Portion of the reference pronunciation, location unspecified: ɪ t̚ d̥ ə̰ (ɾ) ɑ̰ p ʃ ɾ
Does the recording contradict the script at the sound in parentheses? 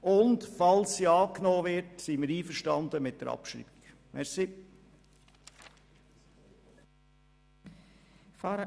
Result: no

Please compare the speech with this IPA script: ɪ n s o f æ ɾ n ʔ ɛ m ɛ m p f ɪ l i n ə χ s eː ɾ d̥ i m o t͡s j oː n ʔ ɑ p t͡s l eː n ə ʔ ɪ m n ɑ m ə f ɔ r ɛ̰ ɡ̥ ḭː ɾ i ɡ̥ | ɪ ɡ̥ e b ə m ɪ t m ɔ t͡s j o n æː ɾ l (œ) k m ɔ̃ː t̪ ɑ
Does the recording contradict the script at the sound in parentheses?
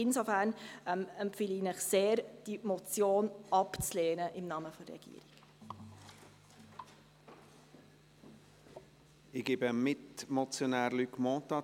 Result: yes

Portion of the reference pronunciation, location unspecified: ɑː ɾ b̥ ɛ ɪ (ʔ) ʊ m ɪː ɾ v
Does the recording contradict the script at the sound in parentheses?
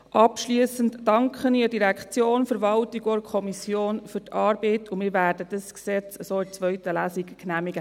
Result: yes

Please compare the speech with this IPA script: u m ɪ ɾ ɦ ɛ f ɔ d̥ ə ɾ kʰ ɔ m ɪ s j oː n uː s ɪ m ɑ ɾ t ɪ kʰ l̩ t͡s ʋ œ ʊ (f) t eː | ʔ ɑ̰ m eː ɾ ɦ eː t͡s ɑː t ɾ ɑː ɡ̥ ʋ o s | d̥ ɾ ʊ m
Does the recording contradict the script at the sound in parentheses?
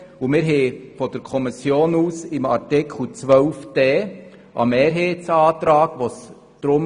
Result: no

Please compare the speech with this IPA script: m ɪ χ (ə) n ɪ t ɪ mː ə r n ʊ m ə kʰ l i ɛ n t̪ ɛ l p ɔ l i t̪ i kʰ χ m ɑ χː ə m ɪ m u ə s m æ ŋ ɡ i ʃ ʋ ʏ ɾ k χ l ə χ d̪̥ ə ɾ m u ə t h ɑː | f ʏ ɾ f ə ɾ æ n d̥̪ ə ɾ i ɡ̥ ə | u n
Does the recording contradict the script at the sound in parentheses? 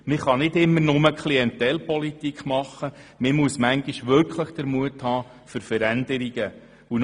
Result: yes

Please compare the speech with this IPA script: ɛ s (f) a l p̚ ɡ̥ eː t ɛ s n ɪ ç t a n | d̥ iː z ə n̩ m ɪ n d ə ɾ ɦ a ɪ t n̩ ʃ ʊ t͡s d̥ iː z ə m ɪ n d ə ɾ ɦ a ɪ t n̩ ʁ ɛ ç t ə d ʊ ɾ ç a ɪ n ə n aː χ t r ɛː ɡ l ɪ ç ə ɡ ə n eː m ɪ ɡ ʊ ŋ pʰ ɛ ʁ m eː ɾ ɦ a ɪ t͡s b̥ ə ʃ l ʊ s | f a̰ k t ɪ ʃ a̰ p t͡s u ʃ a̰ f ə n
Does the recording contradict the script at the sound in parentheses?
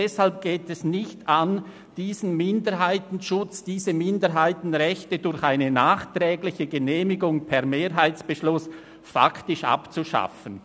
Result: yes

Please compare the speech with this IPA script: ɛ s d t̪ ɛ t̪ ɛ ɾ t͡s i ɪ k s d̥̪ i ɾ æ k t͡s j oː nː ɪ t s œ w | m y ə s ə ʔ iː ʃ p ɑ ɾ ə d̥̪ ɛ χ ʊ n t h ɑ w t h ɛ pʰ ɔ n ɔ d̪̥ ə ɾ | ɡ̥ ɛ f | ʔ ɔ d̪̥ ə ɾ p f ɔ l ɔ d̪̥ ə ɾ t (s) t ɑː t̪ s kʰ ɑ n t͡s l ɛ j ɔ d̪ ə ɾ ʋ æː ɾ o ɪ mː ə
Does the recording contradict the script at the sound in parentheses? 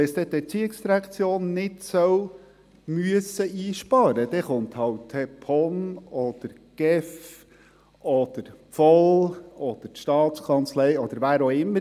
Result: yes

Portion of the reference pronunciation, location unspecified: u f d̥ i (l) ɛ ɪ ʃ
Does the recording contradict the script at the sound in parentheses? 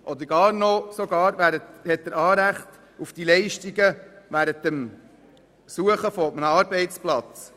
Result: no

